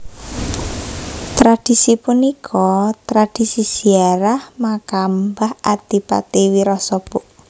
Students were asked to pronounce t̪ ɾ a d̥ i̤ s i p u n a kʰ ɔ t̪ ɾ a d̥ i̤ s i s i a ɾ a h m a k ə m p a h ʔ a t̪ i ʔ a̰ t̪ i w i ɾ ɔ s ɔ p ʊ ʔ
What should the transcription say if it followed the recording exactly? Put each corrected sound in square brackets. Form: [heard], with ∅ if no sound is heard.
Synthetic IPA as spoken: t̪ ɾ a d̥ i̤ s i p u n [i] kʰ ɔ t̪ ɾ a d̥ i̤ s i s i a ɾ a h m a k [a] m [b] a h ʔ a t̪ i [p] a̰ t̪ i w i ɾ ɔ s ɔ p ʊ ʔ